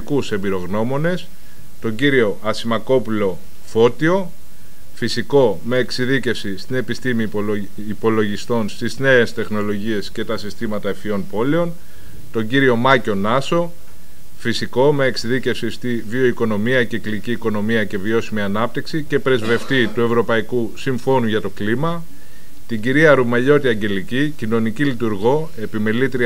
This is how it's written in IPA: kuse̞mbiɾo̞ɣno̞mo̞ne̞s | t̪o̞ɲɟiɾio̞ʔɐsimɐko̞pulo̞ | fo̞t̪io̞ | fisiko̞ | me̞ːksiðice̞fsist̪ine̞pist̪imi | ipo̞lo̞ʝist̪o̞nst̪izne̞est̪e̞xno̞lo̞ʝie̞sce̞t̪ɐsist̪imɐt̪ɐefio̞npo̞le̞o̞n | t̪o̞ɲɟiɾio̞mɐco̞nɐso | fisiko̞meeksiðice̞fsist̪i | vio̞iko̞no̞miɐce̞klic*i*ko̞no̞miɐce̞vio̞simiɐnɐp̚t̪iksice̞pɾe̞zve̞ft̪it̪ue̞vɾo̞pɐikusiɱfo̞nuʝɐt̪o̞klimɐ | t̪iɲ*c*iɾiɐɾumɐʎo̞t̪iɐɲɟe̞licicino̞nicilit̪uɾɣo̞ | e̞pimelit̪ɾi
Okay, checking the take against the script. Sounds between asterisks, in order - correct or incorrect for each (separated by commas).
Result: incorrect, incorrect